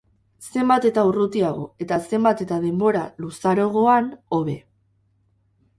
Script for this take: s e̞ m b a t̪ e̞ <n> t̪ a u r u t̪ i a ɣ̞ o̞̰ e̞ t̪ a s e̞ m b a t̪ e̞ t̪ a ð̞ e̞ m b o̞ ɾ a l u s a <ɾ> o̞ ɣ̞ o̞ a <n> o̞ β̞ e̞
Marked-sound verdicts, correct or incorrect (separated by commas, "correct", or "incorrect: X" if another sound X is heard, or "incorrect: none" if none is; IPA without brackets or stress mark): incorrect: none, correct, correct